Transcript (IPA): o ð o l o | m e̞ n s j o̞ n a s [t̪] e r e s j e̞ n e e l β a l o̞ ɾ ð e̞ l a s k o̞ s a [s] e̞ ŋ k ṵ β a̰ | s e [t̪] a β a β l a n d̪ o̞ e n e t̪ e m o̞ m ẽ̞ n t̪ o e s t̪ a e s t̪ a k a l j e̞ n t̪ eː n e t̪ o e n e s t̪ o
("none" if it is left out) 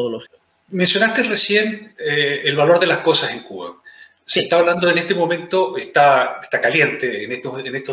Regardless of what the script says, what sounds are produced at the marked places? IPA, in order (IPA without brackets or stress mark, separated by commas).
t̪, s, t̪